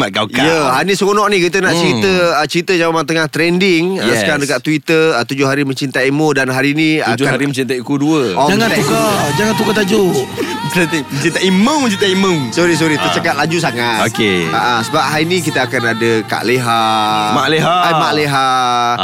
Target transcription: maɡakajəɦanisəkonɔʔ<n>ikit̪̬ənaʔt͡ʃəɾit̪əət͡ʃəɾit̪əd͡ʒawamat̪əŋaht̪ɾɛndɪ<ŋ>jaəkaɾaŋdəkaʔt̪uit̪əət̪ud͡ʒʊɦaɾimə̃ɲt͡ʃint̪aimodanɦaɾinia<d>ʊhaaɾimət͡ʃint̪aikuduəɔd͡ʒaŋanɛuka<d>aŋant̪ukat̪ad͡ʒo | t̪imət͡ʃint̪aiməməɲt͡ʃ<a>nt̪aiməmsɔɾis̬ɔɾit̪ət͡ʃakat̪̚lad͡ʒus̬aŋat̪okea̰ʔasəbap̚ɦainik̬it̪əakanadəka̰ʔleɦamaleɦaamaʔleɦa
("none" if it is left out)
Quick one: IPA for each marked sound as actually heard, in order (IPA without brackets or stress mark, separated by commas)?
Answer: n, ŋ, d͡ʒ, d͡ʒ, i